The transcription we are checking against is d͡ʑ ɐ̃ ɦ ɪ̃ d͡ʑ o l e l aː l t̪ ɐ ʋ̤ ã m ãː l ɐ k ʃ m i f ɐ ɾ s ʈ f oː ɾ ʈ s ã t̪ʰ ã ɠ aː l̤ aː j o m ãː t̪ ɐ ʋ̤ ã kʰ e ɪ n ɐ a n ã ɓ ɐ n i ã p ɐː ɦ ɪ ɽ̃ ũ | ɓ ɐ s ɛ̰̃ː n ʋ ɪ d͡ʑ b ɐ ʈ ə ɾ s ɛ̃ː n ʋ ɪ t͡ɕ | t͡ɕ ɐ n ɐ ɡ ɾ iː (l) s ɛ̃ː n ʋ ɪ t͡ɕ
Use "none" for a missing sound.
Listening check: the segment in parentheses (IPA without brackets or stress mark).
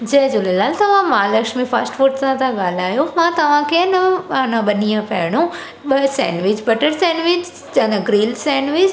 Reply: l